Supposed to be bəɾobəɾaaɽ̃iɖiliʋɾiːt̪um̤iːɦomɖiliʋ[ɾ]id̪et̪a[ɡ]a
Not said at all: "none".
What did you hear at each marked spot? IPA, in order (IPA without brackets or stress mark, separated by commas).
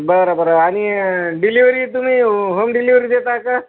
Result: ɾ, k